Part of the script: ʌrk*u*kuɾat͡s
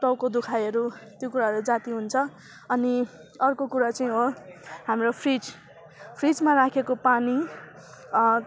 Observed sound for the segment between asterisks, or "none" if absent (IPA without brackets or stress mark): o